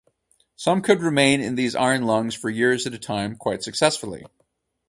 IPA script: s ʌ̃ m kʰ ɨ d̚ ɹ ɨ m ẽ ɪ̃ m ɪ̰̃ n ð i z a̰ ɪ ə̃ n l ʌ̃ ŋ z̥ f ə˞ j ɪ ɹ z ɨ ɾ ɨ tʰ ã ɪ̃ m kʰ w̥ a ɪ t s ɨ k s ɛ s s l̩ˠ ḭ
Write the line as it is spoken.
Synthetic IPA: s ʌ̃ m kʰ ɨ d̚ ɹ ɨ m ẽ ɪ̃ n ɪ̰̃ n ð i z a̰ ɪ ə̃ n l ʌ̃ ŋ z̥ f ə˞ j ɪ ɹ z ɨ ɾ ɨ tʰ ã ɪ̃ m kʰ w̥ a ɪ t s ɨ k s ɛ s f l̩ˠ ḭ